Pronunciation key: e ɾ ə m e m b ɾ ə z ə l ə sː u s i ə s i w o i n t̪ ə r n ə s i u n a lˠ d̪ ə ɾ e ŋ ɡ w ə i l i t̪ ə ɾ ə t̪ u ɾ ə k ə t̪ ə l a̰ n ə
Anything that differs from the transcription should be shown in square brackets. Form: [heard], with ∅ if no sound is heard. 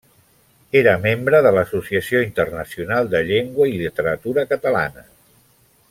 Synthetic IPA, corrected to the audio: e ɾ ə m e m b ɾ ə [ð] ə l ə [s] u s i ə s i [∅] o i n t̪ ə r n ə s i u n a lˠ d̪ ə [ʎ] e ŋ ɡ w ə i l i t̪ ə ɾ ə t̪ u ɾ ə k ə t̪ ə l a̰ n ə